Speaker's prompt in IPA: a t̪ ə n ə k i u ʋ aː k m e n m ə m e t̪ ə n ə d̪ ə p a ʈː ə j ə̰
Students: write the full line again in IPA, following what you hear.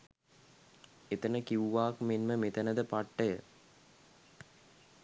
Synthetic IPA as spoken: e t̪ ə n ə k i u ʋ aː k m e n m ə m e t̪ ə n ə d̪ ə p a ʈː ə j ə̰